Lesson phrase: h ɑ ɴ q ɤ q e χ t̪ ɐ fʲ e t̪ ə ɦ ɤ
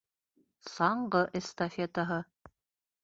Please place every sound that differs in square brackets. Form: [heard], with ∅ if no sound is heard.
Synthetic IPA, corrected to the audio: [s] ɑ ɴ [ɢ] ɤ [ʔ] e [s] t̪ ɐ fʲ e t̪ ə ɦ ɤ